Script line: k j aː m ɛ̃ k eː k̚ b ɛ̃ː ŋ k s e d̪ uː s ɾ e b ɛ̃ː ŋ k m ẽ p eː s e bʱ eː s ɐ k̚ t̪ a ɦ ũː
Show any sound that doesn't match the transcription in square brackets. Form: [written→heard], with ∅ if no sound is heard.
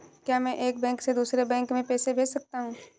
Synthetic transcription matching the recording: k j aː m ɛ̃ [k→ʔ] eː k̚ b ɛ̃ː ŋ k s e d̪ uː s ɾ e b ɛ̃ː ŋ k m ẽ p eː s e bʱ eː s ɐ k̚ t̪ a ɦ ũː